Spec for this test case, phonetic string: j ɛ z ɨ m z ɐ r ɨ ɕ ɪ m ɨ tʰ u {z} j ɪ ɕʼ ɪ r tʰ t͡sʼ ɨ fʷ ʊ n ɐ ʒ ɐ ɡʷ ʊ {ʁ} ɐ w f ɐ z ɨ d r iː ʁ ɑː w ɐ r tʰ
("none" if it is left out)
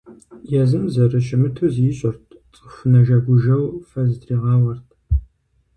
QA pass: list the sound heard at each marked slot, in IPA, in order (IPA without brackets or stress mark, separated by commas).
z, ʒ